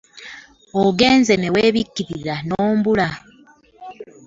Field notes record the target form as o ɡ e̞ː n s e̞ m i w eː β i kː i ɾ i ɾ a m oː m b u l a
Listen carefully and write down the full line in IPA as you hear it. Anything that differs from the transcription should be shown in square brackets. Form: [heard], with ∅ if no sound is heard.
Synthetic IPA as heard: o ɡ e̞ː n [z] e̞ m [e] w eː β i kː i ɾ i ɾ a [n] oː m b u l a